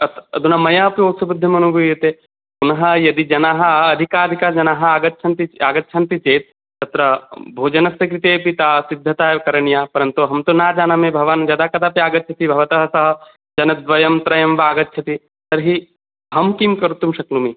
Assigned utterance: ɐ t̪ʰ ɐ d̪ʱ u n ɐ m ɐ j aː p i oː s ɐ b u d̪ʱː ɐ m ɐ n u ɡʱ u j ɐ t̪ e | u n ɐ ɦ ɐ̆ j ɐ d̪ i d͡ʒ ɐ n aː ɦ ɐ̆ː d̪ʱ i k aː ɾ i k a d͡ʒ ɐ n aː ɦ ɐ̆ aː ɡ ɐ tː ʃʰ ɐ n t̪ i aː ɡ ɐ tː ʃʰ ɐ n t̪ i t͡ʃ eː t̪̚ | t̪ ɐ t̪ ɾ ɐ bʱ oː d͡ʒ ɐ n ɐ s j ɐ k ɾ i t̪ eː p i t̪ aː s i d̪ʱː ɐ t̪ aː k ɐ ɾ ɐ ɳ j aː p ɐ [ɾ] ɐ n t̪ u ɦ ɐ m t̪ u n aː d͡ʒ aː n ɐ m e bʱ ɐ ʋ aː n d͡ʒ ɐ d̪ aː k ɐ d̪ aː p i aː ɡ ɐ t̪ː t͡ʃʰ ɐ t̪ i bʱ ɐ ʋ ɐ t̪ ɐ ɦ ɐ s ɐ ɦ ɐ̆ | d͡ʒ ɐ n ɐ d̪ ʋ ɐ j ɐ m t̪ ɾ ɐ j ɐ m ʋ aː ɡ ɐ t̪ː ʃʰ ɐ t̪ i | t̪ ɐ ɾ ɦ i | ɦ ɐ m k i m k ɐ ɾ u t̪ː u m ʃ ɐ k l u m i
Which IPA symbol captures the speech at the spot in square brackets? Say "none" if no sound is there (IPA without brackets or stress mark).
ɾ